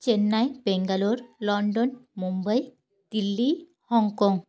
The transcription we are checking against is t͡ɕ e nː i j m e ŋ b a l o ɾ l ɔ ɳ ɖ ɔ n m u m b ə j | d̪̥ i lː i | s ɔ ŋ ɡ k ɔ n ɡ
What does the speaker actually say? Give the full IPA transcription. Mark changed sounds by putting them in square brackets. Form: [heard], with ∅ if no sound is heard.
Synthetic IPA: t͡ɕ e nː [a] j [b] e ŋ [ɡ] a l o ɾ l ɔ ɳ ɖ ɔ n m u m b ə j | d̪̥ i lː i | [h] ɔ ŋ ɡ k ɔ [ŋ] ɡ